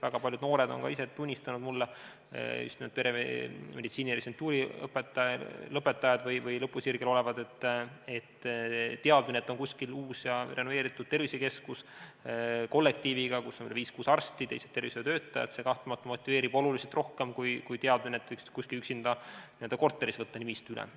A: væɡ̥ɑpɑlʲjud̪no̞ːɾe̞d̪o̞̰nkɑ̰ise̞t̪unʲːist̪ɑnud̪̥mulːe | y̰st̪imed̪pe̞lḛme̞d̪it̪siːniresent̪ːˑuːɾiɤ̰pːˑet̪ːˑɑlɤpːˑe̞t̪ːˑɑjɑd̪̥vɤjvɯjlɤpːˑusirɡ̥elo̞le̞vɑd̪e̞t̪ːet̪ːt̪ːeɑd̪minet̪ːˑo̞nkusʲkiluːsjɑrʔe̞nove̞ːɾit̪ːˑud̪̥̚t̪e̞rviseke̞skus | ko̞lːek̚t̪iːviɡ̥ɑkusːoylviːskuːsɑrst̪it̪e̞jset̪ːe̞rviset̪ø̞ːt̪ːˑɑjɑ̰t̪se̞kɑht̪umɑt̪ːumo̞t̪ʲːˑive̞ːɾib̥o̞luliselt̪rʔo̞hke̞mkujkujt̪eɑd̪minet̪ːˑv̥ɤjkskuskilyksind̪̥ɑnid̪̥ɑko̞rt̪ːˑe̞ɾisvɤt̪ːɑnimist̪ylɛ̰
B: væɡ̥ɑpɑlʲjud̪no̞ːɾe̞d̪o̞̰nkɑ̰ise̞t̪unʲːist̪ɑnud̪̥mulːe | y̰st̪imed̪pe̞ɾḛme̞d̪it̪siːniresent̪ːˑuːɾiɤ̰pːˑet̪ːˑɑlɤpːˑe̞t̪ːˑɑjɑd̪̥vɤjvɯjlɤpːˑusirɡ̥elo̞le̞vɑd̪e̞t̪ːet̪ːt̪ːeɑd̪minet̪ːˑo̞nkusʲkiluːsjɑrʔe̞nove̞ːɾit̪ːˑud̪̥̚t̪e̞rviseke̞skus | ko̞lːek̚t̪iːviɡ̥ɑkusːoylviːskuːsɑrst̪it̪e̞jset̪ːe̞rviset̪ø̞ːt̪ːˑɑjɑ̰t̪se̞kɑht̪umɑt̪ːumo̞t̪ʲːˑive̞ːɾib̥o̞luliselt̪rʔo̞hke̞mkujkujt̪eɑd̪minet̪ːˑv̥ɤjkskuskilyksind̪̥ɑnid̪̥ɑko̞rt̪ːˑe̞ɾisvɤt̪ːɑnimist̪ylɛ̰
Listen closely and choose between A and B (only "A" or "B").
B